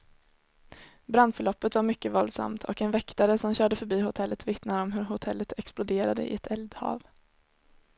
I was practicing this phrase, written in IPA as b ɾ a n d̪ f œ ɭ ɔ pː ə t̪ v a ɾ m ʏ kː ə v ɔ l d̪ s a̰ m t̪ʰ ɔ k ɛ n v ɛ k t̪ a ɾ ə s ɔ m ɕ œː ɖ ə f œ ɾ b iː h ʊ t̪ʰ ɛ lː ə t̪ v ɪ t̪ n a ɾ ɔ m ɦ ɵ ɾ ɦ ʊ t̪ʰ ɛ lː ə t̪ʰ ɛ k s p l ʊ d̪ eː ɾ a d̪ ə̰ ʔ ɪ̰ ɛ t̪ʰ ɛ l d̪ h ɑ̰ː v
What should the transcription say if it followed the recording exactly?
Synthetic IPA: b ɾ a n d̪ f œ ɭ ɔ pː ə t̪ v a ɾ m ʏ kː ə v ɔ l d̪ s a̰ m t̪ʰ ɔ k ɛ n v ɛ k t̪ a ɾ ə s ɔ m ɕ œː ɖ ə f œ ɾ b iː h ʊ t̪ʰ ɛ lː ə t̪ v ɪ t̪ n a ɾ ɔ m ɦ ɵ ɾ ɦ ʊ t̪ʰ ɛ lː ə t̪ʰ ɛ k s p l ʊ d̪ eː ɾ a d̪ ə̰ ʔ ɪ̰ ɛ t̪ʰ ɛ l d̪ h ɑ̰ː v